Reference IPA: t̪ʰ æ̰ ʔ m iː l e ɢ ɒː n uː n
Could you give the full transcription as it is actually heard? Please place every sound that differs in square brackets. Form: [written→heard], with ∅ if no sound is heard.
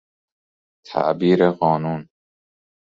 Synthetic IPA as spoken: t̪ʰ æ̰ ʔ [m→b] iː [l→ɾ] e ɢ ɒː n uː n